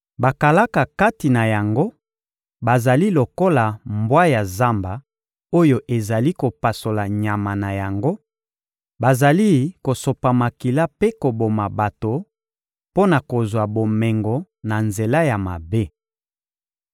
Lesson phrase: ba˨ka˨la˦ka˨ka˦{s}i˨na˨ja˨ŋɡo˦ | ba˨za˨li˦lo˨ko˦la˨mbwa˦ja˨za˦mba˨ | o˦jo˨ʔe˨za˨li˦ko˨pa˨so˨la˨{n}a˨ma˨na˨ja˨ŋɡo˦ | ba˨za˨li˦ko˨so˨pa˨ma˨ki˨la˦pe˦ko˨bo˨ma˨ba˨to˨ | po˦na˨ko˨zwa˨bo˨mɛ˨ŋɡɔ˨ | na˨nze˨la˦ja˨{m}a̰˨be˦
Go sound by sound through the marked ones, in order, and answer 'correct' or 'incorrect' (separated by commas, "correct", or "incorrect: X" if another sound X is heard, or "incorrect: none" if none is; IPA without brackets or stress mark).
incorrect: t, incorrect: ɲ, correct